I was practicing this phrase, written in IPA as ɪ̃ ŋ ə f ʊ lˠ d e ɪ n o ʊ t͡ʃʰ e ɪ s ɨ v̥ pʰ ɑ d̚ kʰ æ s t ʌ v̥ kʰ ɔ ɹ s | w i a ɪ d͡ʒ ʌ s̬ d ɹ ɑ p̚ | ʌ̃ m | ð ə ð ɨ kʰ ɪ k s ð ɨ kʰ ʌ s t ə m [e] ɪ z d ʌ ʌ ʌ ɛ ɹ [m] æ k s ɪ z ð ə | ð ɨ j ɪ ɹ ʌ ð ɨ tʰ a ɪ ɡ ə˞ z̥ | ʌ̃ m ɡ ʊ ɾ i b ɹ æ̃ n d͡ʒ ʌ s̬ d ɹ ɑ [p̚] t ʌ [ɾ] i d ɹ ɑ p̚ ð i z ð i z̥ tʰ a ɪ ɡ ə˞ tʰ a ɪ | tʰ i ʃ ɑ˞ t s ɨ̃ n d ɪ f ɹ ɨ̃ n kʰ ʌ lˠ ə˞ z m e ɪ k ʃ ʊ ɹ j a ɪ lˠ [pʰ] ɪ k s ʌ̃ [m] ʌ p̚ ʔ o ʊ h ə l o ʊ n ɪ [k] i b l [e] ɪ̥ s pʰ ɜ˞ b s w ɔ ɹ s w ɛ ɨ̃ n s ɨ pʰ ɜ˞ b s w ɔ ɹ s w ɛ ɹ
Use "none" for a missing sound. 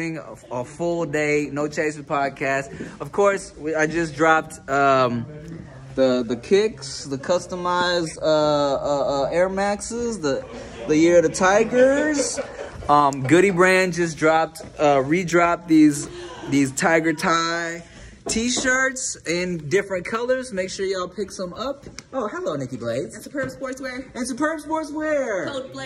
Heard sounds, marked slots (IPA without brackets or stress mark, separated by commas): a, m, p̚, ɹ, pʰ, m, k, e